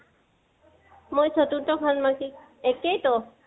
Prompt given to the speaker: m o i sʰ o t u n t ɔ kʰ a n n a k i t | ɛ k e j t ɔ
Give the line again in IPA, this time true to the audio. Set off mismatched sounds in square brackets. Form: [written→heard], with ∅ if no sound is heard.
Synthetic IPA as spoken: m o [i→j] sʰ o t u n t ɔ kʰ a n [n→m] a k i [t→∅] | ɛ k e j t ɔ